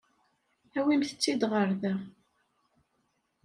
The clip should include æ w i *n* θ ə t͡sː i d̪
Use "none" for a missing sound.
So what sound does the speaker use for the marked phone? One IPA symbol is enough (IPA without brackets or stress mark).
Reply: m